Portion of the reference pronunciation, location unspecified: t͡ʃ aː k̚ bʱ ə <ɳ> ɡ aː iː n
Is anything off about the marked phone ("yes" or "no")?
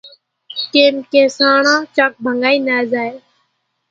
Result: yes